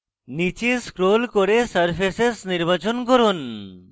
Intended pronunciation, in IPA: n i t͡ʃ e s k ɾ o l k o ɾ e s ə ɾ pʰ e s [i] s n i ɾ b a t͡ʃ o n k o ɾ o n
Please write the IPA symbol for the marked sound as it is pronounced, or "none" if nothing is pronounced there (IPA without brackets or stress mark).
e